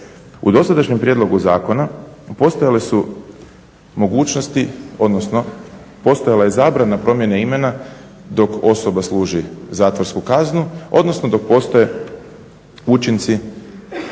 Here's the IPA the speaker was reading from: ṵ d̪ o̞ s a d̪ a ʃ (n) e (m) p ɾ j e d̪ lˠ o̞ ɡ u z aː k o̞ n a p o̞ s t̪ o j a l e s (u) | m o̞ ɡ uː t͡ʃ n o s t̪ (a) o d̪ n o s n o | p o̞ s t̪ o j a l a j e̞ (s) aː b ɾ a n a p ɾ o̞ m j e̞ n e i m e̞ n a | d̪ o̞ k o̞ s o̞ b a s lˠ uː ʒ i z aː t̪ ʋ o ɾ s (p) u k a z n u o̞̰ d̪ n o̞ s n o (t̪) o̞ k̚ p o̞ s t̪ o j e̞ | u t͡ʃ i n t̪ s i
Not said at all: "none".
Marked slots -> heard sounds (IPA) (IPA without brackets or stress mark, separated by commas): ɲ, m, u, i, z, k, d̪